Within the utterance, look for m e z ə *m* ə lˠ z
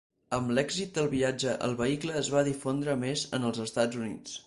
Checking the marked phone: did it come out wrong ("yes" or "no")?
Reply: yes